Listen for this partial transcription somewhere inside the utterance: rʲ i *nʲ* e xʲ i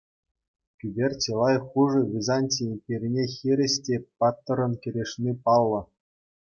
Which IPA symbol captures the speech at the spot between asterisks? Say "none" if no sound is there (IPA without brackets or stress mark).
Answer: nʲ